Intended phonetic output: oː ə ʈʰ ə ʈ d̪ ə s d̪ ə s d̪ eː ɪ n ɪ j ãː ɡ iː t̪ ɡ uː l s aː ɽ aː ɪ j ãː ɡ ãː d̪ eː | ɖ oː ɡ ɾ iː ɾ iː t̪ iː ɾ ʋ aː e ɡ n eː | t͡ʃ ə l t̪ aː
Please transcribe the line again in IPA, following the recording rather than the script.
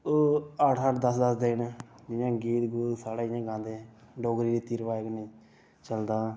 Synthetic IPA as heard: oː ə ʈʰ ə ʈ d̪ ə s d̪ ə s d̪ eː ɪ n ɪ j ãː ɡ iː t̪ ɡ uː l s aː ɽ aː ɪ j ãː ɡ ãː d̪ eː | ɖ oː ɡ ɾ iː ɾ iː t̪ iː ɾ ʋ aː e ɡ n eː | t͡ʃ ə l d̪ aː